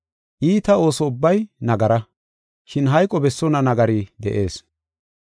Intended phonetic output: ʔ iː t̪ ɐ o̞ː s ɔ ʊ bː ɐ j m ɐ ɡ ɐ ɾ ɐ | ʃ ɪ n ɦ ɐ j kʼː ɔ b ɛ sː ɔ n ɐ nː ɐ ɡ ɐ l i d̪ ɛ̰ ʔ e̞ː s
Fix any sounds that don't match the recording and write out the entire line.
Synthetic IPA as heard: ʔ iː t̪ ɐ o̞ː s ɔ ʊ bː ɐ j n ɐ ɡ ɐ ɾ ɐ | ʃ ɪ n ɦ ɐ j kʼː ɔ b ɛ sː ɔ n ɐ n ɐ ɡ ɐ ɾ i d̪ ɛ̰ ʔ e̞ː s